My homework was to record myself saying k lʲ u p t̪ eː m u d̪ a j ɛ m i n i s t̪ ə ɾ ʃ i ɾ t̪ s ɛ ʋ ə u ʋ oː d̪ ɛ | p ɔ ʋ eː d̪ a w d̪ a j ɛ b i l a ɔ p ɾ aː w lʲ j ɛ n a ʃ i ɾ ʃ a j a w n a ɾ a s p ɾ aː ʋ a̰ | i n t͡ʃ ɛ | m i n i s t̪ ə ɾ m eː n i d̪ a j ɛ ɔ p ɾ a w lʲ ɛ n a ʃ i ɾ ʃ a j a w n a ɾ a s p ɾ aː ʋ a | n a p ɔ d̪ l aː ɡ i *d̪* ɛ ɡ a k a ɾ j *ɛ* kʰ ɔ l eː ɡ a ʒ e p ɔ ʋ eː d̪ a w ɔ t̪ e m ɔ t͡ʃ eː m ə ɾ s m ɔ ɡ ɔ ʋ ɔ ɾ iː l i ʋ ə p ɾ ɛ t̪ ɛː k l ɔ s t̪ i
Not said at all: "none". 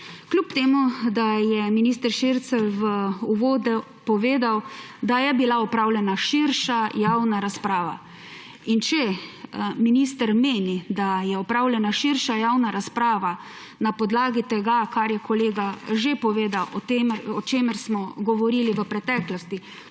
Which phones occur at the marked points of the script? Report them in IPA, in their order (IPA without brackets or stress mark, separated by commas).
t̪, ɛ